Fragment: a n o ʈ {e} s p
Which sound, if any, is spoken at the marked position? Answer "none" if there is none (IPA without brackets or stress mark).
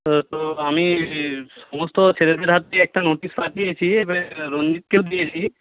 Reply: i